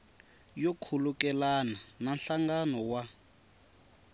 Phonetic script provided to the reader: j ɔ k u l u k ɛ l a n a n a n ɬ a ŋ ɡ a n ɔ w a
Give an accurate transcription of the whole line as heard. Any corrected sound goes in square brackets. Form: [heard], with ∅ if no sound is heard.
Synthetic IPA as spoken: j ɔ [kʰ] u l u k ɛ l a n a n a n ɬ a ŋ ɡ a n ɔ w a